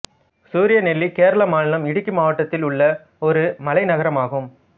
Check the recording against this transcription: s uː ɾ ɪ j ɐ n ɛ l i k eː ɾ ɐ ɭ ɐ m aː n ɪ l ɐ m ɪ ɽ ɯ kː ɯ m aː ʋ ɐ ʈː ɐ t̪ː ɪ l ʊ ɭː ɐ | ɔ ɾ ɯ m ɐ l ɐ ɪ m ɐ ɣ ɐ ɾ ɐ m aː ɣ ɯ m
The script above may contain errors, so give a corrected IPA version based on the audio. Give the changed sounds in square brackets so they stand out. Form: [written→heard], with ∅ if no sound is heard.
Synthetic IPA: s uː ɾ ɪ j ɐ n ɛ [l→lː] i k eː ɾ ɐ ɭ ɐ m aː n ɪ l ɐ m ɪ ɽ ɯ kː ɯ m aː ʋ ɐ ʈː ɐ t̪ː ɪ l ʊ ɭː ɐ | ɔ ɾ ɯ m ɐ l ɐ ɪ [m→n] ɐ ɣ ɐ ɾ ɐ m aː ɣ ɯ m